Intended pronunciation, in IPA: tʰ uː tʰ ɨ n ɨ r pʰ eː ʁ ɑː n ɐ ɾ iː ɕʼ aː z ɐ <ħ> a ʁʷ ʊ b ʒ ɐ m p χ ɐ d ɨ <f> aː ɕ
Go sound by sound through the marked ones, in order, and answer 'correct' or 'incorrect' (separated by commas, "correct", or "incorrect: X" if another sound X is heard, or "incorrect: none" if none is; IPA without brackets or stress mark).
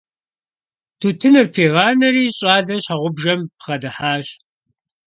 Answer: incorrect: ɕ, incorrect: ħ